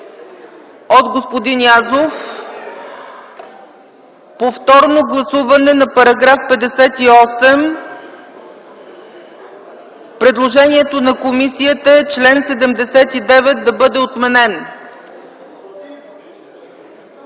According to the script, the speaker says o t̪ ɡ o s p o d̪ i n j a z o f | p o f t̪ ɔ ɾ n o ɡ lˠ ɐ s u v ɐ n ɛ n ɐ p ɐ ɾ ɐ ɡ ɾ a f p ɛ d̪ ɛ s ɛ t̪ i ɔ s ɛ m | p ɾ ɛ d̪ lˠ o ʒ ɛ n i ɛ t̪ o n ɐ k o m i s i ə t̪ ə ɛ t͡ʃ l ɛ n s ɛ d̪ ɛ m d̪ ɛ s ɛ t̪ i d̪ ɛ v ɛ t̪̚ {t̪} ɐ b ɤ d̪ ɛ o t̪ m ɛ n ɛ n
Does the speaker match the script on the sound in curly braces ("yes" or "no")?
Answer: no